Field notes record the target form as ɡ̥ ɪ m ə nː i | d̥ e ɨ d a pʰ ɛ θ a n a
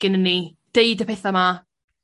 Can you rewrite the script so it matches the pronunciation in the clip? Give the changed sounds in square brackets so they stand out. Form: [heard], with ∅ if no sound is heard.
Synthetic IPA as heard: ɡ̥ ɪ [n] ə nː i | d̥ e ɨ d [ə] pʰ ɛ θ a [m] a